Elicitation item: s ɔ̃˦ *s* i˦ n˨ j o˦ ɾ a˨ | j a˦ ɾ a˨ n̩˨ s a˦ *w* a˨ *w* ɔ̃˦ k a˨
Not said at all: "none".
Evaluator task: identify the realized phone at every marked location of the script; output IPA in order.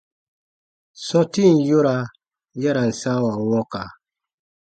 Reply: t, w, w

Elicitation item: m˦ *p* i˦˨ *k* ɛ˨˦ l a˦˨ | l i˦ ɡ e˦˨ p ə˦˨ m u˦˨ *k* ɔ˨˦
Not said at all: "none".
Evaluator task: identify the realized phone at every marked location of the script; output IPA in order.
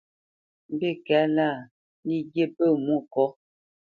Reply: b, k, k

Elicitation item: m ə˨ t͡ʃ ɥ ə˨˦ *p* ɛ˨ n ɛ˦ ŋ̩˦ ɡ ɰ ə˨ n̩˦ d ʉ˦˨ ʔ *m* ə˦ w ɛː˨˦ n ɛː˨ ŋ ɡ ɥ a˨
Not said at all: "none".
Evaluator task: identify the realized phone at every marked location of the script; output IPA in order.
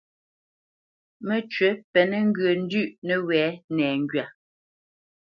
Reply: p, n

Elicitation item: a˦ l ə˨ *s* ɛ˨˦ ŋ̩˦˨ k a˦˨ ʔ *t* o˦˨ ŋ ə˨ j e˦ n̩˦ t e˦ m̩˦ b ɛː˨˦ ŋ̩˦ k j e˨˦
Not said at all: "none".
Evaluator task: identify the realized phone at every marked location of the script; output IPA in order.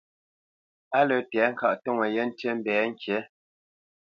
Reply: t, t

